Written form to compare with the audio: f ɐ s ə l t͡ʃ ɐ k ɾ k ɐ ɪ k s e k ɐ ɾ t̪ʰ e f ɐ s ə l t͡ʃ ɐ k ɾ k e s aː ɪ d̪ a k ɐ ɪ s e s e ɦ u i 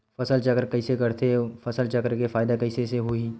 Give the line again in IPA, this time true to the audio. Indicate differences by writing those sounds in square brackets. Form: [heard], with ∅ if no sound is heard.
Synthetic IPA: f ɐ s ə l t͡ʃ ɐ k ɾ k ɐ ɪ [∅] s e k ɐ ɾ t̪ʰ e f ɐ s ə l t͡ʃ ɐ k ɾ k e [f] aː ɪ d̪ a k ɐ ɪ s e s e ɦ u i